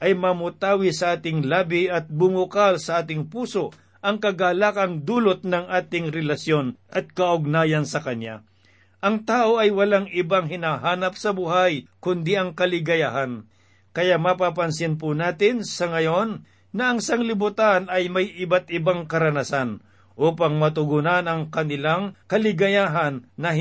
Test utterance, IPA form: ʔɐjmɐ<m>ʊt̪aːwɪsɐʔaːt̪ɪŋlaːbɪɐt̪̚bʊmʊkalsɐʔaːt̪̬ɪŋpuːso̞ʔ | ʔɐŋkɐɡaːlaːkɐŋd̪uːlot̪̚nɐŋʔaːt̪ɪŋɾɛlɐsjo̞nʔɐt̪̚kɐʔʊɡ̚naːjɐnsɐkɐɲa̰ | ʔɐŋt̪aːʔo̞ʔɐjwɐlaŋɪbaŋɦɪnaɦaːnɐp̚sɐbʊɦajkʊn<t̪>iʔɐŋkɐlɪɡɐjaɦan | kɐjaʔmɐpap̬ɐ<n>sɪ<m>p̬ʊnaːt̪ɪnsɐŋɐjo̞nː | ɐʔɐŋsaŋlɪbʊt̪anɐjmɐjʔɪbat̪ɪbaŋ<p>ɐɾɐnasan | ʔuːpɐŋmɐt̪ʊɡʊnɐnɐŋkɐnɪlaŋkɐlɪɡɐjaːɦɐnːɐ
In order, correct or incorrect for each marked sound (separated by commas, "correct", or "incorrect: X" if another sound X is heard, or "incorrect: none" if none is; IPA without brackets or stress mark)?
correct, incorrect: d̪, correct, incorrect: n, incorrect: k